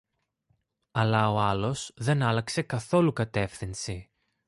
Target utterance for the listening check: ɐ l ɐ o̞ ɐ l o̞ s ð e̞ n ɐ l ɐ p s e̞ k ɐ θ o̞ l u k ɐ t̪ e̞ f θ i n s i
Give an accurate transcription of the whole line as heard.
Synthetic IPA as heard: ɐ l ɐ o̞ ɐ l o̞ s ð e̞ n ɐ l ɐ k s e̞ k ɐ θ o̞ l u k ɐ t̪ e̞ f θ i n s i